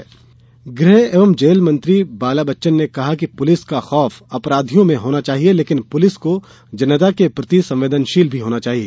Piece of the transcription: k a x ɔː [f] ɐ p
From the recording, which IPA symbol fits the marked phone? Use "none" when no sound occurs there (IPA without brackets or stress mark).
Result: f